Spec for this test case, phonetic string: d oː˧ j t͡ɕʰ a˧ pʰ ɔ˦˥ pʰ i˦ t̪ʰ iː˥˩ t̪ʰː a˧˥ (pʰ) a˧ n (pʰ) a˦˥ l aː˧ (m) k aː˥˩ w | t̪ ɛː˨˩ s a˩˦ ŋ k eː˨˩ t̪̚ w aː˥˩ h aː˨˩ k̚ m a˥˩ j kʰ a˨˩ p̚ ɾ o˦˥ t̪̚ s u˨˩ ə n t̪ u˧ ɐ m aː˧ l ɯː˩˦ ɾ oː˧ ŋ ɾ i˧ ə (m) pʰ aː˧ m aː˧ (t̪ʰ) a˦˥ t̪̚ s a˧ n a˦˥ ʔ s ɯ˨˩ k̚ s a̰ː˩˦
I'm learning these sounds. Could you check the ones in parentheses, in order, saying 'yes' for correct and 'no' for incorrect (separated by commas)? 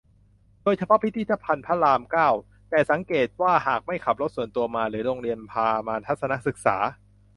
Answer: yes, yes, yes, no, yes